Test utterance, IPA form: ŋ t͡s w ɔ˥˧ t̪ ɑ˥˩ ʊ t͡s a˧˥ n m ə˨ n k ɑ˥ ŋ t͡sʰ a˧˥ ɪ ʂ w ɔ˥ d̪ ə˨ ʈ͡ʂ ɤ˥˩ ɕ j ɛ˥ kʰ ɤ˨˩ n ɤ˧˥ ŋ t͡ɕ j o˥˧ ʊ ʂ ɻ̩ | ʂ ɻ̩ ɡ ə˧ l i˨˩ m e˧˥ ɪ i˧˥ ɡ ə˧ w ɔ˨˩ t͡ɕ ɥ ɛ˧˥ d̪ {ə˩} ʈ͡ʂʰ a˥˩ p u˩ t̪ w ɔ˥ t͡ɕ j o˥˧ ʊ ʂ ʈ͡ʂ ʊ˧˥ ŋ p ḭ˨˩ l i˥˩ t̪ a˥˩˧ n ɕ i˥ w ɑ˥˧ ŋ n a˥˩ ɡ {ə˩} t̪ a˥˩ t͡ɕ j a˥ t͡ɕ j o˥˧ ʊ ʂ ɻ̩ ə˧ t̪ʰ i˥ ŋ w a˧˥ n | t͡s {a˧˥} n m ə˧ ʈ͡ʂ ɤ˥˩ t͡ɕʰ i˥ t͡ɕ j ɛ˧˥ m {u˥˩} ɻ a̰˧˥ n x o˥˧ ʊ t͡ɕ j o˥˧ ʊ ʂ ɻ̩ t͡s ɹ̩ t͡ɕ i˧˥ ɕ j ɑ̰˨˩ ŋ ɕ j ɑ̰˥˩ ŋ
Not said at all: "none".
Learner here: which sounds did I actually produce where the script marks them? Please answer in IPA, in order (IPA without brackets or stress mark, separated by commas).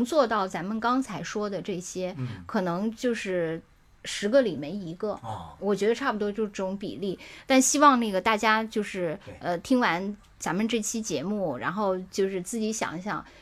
ə˧, ə˩, a˧˥, u˥˩